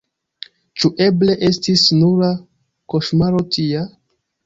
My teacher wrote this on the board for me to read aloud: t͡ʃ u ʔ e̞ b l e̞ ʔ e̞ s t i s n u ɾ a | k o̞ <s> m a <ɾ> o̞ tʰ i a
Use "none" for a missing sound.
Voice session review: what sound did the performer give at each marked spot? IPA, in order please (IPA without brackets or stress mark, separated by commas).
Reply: ʃ, ɾ